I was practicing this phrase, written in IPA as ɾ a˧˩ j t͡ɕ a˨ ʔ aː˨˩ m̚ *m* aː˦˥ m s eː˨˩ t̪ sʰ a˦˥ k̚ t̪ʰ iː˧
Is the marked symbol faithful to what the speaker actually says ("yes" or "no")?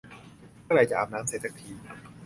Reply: no